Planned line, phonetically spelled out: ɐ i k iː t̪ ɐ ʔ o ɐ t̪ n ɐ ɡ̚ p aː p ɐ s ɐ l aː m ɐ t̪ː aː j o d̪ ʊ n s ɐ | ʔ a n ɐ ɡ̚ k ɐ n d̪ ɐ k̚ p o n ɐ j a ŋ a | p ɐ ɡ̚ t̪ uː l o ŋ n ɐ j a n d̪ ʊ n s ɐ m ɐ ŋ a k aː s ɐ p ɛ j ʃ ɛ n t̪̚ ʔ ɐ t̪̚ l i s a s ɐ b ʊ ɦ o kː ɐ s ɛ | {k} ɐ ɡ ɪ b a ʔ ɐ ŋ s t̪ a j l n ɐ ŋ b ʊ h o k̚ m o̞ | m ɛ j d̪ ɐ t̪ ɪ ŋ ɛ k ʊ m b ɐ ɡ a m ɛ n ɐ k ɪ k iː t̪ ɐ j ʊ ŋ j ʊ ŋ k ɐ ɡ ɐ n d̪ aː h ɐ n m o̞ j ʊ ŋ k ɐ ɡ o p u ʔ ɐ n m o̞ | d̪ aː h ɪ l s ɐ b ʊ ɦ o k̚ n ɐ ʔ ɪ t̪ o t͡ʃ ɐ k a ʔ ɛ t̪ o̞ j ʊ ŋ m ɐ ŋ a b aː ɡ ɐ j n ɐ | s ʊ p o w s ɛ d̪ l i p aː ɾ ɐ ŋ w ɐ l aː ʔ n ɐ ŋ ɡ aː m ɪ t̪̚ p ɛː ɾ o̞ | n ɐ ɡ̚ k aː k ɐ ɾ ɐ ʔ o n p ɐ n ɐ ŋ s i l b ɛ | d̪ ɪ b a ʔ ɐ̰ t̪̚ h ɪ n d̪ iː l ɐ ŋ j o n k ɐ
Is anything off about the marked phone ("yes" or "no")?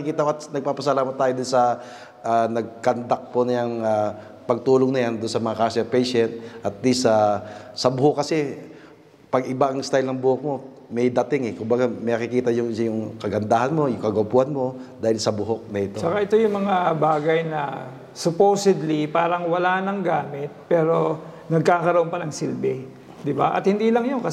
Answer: yes